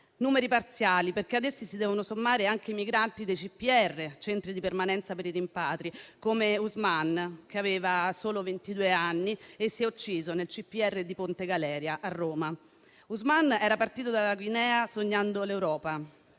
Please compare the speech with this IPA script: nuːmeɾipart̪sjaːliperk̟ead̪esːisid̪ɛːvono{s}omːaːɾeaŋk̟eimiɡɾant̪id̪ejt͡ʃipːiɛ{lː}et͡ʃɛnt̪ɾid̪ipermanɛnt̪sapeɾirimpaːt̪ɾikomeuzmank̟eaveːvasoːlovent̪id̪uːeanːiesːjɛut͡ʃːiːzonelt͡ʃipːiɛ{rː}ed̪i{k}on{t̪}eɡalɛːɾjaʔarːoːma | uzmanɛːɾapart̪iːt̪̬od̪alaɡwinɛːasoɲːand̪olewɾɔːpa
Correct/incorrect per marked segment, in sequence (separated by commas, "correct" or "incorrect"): correct, incorrect, correct, incorrect, correct